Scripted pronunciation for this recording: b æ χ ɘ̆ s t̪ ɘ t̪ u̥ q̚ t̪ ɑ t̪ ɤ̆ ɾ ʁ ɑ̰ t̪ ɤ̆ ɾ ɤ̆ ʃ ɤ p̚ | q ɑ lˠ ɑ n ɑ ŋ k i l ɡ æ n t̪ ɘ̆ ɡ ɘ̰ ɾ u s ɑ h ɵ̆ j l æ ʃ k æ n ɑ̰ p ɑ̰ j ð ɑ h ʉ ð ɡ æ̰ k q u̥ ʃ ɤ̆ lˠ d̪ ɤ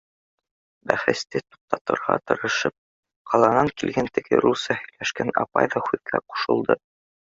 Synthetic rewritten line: b æ χ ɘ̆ s t̪ ɘ t̪ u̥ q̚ t̪ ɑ t̪ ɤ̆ ɾ ʁ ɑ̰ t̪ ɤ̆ ɾ ɤ̆ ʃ ɤ p̚ | q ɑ lˠ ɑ n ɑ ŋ k i l ɡ æ n t̪ ɘ̆ ɡ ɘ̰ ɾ u s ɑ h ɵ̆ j l æ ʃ k æ n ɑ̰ p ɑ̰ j ð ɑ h ʉ ð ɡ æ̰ q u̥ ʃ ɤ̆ lˠ d̪ ɤ